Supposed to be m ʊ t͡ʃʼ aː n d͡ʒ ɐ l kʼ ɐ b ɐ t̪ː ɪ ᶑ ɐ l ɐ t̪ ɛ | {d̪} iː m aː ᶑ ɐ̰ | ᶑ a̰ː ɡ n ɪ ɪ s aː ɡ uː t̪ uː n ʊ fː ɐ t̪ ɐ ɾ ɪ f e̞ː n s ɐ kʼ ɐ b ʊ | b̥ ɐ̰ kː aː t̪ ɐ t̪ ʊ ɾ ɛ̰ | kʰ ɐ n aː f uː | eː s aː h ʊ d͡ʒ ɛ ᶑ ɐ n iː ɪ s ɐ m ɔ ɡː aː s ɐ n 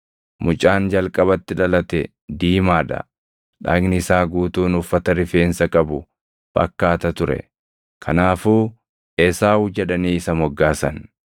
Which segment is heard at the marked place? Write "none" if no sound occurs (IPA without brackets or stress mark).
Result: d̪